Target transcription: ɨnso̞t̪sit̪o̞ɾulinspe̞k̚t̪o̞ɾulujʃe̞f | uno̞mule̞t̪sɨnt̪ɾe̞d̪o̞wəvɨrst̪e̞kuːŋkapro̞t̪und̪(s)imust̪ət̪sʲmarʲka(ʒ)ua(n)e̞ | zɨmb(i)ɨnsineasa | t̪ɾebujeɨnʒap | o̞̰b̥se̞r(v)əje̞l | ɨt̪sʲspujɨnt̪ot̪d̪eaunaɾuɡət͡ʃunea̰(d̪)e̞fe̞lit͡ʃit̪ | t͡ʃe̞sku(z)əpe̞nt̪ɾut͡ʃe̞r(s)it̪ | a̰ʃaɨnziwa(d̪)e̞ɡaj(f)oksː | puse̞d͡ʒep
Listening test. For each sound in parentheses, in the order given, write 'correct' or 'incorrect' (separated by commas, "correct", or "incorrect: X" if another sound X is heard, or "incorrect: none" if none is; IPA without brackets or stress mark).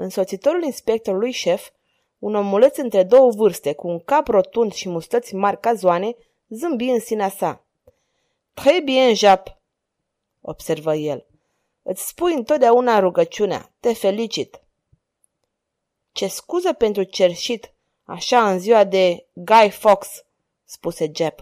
incorrect: ʃ, incorrect: z, correct, correct, correct, incorrect: t̪, correct, incorrect: ʃ, correct, correct